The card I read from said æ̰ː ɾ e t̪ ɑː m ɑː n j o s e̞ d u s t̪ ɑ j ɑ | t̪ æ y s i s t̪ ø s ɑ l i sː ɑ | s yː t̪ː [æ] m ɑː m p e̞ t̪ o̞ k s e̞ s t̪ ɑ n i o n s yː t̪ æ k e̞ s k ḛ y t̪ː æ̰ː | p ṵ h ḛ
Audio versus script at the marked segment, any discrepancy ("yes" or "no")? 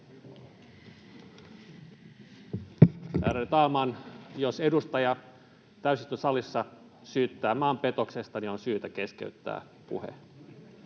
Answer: yes